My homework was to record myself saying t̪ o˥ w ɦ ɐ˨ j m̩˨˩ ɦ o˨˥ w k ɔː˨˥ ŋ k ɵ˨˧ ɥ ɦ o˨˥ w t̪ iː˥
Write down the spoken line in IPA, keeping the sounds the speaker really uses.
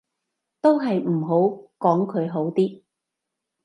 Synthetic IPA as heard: t̪ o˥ w ɦ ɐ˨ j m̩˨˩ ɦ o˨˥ w k ɔː˨˥ ŋ kʰ ɵ˨˧ ɥ ɦ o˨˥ w t̪ iː˥